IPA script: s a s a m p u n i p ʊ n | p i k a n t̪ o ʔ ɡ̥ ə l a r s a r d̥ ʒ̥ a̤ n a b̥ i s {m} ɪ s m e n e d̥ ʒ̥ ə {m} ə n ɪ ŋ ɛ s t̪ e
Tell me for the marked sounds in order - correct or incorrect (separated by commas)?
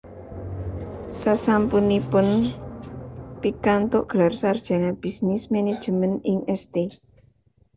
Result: incorrect, correct